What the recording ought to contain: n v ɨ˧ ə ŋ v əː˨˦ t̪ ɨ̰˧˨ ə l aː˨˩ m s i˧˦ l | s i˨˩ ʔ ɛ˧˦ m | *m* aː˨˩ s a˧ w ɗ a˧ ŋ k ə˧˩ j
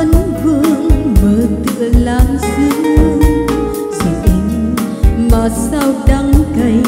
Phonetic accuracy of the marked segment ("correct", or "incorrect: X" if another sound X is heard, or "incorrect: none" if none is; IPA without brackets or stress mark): correct